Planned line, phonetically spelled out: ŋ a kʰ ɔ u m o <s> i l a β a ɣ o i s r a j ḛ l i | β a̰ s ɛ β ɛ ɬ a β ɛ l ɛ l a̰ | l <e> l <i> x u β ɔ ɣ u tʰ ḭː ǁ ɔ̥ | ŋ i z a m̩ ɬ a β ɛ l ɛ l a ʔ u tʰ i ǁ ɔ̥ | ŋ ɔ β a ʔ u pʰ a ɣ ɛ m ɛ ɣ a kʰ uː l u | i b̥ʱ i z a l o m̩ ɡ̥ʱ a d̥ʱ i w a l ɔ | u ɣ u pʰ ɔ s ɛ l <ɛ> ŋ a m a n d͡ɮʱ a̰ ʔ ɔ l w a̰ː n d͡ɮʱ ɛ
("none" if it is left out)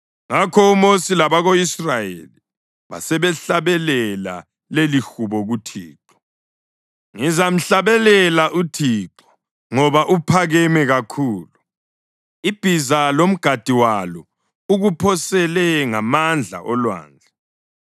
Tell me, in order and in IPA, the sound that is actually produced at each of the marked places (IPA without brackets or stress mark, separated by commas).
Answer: s, e, i, ɛ